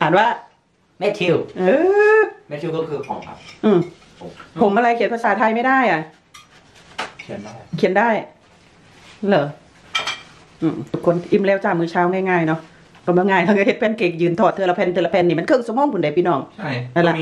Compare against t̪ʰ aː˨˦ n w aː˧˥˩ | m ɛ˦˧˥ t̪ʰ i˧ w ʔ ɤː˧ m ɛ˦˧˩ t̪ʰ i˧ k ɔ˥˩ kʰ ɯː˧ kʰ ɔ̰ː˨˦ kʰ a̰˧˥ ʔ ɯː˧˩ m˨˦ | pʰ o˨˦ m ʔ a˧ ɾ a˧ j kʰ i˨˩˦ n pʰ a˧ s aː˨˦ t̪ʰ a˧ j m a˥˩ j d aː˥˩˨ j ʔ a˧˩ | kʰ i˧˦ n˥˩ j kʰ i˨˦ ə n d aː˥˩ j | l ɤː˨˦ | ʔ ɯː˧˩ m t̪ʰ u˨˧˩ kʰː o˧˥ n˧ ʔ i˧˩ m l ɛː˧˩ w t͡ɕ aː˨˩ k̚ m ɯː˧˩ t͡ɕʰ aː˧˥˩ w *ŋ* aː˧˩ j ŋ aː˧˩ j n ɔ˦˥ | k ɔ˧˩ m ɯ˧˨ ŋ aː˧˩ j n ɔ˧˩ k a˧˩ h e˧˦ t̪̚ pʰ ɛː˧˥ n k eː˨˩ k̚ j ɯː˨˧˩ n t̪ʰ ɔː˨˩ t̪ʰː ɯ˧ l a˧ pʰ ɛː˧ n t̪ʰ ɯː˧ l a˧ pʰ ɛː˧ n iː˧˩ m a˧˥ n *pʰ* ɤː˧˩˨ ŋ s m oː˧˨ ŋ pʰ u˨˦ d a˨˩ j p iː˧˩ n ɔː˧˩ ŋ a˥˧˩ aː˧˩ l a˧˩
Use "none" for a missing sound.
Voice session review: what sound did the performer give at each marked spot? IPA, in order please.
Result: ŋ, kʰ

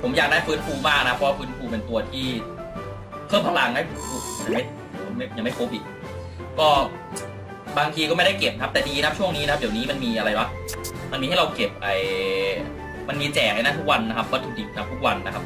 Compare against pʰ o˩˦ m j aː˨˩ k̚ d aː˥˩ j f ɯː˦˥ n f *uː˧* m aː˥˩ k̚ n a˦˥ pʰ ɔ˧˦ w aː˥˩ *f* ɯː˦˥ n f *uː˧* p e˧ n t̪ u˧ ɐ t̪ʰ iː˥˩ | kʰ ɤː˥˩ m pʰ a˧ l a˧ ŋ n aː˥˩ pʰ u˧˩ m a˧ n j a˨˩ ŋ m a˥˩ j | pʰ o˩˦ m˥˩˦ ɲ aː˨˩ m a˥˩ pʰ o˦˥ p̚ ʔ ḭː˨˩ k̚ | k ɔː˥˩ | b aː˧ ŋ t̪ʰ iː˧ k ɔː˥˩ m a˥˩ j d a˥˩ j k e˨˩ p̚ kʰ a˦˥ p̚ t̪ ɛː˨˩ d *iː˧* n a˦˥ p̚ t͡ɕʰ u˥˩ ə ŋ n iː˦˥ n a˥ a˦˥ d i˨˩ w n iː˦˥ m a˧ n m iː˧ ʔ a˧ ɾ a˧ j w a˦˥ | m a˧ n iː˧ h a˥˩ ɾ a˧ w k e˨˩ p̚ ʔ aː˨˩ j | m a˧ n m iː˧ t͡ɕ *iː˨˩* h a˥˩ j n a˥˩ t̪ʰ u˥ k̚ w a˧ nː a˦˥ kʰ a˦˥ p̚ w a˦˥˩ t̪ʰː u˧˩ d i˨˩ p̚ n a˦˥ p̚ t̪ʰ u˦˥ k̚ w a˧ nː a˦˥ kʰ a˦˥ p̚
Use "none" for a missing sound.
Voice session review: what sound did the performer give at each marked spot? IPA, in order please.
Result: uː˧, f, uː˧, iː˧, ɛː˨˩

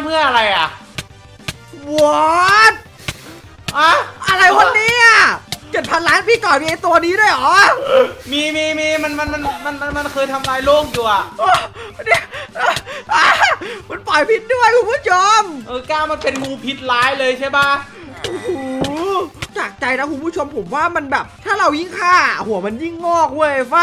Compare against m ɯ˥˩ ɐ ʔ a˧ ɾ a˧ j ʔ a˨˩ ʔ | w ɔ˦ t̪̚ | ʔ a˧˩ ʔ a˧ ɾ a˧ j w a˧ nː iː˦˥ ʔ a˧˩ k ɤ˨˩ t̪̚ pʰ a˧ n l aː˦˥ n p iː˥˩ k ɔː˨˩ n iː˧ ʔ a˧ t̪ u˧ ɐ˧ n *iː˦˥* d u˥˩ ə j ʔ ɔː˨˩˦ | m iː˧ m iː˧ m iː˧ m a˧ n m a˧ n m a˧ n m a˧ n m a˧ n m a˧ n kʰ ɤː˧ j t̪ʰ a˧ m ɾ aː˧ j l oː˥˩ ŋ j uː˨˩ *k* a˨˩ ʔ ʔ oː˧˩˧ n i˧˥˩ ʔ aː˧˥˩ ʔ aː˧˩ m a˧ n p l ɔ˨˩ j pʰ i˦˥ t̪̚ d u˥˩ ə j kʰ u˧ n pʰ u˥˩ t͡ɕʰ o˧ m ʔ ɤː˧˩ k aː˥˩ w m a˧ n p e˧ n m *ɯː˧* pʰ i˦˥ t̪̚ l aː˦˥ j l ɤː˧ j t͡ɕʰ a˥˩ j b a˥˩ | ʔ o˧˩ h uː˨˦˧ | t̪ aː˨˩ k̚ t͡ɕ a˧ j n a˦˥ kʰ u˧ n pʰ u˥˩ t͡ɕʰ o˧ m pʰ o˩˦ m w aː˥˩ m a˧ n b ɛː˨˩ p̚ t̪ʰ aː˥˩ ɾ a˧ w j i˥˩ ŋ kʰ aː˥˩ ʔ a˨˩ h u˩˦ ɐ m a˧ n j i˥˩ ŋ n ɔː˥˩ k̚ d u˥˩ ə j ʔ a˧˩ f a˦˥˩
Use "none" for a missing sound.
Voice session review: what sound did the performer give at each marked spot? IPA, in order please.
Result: iː˦˥, ʔ, uː˧

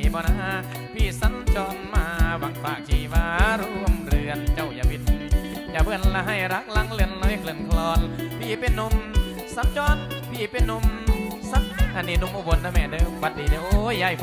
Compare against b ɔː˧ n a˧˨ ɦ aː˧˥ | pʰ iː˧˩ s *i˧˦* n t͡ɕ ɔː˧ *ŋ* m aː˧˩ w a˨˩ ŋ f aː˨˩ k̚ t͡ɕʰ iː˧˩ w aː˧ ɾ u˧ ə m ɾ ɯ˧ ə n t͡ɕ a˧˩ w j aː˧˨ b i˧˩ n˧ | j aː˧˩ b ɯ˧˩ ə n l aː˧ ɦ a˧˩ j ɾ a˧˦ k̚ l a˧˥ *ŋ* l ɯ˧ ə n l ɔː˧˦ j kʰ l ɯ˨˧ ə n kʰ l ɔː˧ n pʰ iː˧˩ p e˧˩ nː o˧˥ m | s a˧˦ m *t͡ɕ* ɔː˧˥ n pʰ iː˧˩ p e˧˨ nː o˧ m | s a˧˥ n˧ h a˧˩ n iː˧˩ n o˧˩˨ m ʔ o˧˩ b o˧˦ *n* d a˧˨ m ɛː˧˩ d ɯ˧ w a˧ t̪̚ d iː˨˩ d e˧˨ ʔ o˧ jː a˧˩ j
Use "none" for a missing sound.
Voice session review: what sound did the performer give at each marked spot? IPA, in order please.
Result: a˧˦, n, ŋ, t͡ɕ, n

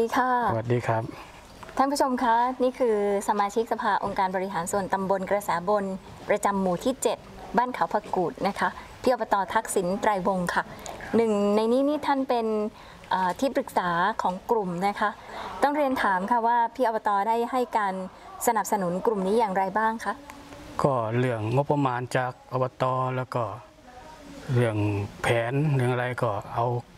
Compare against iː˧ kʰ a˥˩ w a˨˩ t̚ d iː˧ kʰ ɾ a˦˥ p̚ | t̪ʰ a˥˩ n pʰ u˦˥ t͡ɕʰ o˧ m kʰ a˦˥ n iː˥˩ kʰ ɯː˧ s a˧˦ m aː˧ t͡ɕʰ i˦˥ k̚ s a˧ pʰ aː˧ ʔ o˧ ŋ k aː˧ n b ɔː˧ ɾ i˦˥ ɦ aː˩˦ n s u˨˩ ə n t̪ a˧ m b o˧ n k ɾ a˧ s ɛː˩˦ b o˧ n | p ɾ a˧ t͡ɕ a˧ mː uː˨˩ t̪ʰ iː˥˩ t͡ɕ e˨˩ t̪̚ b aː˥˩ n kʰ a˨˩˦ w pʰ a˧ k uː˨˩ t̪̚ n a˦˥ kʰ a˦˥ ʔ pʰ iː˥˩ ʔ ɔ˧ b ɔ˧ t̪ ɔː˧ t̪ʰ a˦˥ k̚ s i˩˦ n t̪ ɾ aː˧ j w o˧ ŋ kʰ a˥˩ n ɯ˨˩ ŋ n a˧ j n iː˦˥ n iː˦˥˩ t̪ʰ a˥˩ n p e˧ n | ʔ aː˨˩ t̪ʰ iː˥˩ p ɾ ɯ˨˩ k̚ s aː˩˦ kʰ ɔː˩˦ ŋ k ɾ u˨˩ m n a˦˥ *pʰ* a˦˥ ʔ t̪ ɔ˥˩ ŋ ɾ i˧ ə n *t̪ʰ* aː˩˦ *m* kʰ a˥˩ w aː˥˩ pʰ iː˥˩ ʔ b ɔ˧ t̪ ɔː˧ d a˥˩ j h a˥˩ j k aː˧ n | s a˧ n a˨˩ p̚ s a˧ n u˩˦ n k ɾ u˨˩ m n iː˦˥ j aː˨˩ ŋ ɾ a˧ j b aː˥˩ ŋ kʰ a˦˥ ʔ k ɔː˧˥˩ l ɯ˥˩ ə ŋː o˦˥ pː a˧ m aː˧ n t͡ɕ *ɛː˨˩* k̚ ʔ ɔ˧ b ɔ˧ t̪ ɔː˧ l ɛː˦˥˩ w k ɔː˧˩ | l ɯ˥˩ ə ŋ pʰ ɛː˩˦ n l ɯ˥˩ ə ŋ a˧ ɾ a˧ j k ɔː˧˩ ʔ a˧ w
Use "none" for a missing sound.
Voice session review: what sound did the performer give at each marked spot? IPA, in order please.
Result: kʰ, t̪ʰ, m, aː˨˩

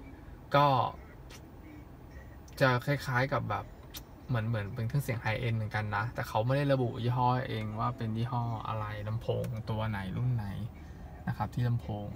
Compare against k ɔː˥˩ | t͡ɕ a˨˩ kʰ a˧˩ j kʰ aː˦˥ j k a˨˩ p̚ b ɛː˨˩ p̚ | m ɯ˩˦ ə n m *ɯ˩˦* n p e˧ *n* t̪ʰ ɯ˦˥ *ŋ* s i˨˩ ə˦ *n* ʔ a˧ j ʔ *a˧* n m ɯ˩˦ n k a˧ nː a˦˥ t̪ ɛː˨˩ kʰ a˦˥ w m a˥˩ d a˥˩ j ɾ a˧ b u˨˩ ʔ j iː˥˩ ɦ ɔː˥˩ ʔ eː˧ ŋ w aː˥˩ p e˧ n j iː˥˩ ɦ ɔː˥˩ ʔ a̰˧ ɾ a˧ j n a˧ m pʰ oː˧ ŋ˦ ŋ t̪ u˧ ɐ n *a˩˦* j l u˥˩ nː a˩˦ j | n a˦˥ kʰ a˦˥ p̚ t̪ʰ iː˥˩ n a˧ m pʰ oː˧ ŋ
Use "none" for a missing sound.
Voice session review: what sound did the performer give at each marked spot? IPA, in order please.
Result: ɯ˩˦, n, ŋ, ŋ, e˧, a˩˦

